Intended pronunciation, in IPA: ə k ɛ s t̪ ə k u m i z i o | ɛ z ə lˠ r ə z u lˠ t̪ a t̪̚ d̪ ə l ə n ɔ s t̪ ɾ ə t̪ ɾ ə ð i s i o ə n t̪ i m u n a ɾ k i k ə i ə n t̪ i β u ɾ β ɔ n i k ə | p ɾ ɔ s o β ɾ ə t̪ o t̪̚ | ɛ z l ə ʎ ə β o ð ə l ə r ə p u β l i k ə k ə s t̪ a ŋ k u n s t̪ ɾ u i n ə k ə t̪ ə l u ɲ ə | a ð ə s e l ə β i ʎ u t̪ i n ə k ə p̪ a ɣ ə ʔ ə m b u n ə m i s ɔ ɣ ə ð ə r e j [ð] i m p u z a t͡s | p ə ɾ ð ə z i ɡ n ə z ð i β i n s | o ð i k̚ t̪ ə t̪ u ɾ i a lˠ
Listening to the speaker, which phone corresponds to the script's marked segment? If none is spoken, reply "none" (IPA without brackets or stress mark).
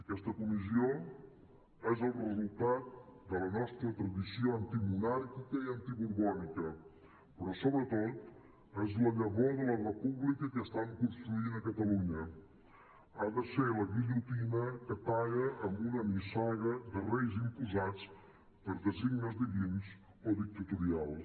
z